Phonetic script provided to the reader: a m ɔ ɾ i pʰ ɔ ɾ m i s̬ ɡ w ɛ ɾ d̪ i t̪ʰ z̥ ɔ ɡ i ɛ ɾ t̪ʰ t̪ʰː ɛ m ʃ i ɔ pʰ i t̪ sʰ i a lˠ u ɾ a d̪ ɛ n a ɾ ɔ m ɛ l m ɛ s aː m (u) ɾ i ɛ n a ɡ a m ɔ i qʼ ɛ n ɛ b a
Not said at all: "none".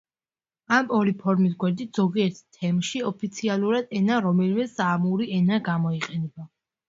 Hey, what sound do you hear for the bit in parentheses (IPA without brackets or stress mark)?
u